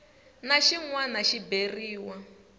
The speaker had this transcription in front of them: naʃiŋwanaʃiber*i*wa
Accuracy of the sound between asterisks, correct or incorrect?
incorrect